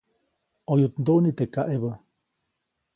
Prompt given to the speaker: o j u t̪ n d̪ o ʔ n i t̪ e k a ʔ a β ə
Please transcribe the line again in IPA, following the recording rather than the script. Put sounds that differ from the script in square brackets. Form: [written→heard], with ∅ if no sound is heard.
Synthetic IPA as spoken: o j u t̪ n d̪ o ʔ n i t̪ e k a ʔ [a→e] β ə